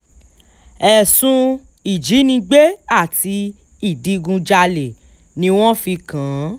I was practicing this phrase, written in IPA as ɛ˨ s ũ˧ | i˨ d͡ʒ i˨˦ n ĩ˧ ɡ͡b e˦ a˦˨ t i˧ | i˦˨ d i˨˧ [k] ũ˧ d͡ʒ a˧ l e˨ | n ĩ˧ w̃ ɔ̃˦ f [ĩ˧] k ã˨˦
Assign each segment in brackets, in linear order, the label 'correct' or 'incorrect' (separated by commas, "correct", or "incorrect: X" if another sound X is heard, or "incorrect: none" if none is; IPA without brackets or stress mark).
incorrect: ɡ, incorrect: i˧